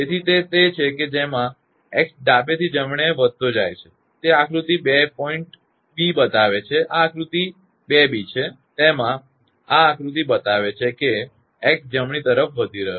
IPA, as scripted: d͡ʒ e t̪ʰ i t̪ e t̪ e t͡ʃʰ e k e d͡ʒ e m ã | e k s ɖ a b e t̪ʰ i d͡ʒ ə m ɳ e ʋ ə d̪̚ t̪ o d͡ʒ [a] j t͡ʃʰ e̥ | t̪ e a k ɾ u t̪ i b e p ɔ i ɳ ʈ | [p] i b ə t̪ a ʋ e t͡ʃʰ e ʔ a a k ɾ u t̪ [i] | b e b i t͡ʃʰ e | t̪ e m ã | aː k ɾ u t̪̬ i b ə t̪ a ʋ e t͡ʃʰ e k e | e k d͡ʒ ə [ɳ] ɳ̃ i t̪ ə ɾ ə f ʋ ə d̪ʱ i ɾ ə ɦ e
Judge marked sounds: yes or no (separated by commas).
yes, no, yes, no